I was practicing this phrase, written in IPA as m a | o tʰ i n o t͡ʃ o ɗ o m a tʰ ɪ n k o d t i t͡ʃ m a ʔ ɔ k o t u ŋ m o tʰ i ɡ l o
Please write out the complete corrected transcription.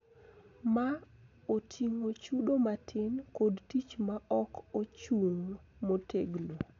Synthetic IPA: m a | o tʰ i ŋ o t͡ʃ u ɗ o m a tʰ ɪ n k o d t i t͡ʃ m a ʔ ɔ k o t͡ʃ u ŋ m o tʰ e ɡ l o